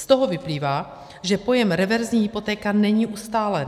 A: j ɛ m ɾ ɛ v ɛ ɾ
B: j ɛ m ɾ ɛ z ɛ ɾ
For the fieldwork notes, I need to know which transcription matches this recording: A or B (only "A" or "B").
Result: A